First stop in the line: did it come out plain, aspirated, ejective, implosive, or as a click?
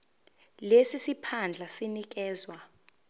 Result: aspirated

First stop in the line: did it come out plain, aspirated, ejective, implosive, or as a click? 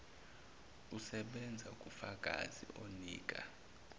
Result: implosive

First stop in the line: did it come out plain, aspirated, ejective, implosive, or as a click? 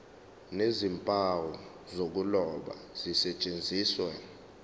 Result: ejective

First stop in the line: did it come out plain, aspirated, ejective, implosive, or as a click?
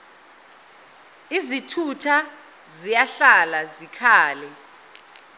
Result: aspirated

